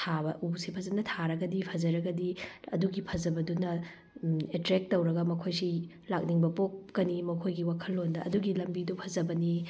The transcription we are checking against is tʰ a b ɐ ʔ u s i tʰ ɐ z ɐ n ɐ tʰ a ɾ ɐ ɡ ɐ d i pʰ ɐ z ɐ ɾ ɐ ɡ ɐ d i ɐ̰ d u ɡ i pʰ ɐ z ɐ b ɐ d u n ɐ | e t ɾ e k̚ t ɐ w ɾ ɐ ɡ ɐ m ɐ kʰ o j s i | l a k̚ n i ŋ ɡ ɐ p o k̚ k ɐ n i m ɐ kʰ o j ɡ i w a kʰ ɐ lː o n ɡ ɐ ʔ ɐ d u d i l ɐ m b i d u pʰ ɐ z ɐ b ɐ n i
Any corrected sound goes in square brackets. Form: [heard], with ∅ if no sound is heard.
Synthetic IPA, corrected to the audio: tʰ a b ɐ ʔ u s i [pʰ] ɐ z ɐ n ɐ tʰ a ɾ ɐ ɡ ɐ d i pʰ ɐ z ɐ ɾ ɐ ɡ ɐ d i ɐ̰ d u ɡ i pʰ ɐ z ɐ b ɐ d u n ɐ | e t ɾ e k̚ t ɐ w ɾ ɐ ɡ ɐ m ɐ kʰ o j s i | l a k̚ n i ŋ [b] ɐ p o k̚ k ɐ n i m ɐ kʰ o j ɡ i w a kʰ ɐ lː o n [d] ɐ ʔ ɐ d u [ɡ] i l ɐ m b i d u pʰ ɐ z ɐ b ɐ n i